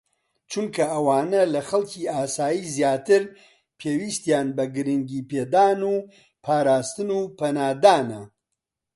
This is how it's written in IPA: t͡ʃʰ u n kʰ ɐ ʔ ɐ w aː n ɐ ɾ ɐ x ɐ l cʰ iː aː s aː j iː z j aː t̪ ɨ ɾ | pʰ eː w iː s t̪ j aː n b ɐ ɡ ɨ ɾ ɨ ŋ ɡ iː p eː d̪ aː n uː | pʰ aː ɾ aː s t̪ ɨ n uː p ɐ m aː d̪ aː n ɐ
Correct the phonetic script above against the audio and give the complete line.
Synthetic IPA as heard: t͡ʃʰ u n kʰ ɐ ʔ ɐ w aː n ɐ l ɐ x ɐ l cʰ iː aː s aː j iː z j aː t̪ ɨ ɾ | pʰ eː w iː s t̪ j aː n b ɐ ɡ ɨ ɾ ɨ ŋ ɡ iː p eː d̪ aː n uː | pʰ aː ɾ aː s t̪ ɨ n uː p ɐ n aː d̪ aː n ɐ